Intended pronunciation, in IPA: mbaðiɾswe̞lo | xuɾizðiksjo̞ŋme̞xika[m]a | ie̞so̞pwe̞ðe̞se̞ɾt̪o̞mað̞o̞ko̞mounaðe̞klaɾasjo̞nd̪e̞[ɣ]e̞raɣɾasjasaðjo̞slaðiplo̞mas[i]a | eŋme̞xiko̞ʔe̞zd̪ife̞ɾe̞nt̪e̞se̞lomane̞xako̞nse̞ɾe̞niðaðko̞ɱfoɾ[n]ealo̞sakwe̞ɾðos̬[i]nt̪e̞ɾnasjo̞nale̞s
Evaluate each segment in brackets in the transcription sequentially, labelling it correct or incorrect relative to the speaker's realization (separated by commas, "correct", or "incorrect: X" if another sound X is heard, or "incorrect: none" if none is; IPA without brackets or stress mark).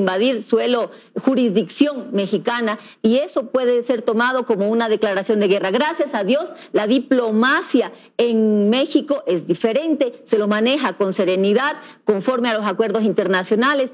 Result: incorrect: n, correct, incorrect: j, incorrect: m, correct